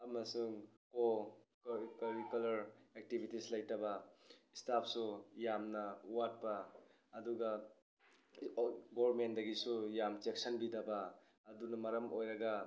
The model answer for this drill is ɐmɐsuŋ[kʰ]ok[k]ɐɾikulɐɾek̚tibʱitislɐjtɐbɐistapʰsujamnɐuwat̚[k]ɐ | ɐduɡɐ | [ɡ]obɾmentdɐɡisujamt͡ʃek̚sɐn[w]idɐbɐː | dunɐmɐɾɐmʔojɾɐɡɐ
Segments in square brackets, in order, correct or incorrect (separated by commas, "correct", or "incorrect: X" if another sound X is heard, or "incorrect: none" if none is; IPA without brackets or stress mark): incorrect: k, correct, incorrect: p, correct, incorrect: b